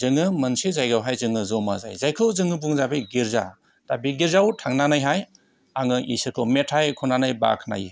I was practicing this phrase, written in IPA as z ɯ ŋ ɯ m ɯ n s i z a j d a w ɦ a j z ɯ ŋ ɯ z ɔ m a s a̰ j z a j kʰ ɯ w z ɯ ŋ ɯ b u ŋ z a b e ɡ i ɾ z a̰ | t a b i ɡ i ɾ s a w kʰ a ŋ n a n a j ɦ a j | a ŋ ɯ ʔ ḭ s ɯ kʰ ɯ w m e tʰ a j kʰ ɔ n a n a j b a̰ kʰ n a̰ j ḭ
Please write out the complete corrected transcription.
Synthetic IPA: z ɯ ŋ ɯ m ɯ n s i z a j ɡ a w ɦ a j z ɯ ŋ ɯ z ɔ m a z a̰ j z a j kʰ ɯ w z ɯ ŋ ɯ b u ŋ z a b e ɡ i ɾ z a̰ | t a b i ɡ i ɾ z a w tʰ a ŋ n a n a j ɦ a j | a ŋ ɯ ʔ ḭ s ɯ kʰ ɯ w m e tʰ a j kʰ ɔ n a n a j b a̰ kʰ n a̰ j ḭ